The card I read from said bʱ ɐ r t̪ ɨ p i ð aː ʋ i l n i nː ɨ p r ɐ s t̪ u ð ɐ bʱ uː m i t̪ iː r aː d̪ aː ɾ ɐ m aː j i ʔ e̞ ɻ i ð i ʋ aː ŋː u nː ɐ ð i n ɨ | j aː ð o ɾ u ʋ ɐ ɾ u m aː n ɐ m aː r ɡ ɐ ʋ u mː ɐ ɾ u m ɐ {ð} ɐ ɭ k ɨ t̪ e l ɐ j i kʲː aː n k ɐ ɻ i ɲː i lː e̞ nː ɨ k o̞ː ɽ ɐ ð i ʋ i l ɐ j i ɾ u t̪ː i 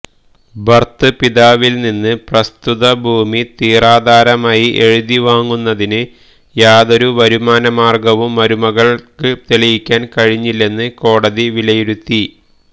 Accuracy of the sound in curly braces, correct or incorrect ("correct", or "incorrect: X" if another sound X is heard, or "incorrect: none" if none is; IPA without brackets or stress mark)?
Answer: incorrect: ɣ